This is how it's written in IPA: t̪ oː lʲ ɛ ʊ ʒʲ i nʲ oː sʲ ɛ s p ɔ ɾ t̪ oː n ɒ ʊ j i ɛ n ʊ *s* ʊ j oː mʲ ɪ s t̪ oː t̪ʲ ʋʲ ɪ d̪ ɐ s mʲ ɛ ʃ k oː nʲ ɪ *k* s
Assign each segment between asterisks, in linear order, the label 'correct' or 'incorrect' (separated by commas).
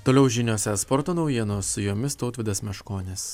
correct, incorrect